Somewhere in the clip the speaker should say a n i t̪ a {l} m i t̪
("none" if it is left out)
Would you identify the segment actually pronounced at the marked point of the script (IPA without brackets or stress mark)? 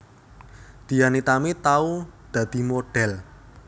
none